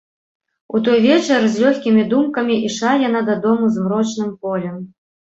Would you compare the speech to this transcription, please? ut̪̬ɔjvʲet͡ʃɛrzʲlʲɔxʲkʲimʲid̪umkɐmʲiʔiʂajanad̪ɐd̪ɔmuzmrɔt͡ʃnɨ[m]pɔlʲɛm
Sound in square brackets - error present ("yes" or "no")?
no